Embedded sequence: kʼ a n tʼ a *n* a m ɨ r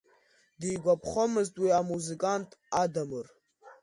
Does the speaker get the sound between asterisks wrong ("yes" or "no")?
yes